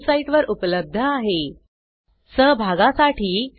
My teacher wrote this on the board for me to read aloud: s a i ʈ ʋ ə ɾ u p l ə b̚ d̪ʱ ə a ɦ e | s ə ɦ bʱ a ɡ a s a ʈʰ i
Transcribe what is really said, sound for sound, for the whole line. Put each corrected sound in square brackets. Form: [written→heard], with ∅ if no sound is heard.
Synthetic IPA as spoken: s a i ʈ ʋ ə ɾ u p l ə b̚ d̪ʱ ə a ɦ e | s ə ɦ bʱ a ɡ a s a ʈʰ [i→iː]